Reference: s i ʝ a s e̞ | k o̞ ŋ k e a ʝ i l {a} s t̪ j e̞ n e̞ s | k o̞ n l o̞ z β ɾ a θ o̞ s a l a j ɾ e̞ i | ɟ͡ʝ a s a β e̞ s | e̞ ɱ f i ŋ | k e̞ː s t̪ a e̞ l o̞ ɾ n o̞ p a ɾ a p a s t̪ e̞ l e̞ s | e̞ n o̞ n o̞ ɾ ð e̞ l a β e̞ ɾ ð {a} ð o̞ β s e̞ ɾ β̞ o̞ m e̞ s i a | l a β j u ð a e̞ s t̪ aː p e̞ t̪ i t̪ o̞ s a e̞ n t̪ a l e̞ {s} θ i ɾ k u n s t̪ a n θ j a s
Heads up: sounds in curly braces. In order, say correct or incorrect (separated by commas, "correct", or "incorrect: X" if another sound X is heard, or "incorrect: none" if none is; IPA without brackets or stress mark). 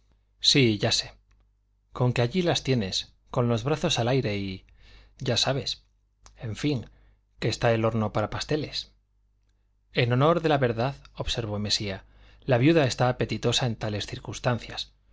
correct, correct, correct